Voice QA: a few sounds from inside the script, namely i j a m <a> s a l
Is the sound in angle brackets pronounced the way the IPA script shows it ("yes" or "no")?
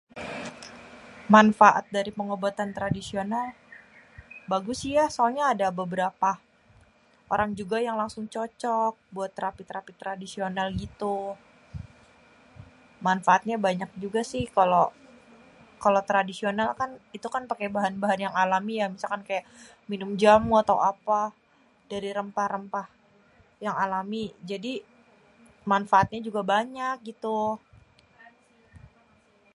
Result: no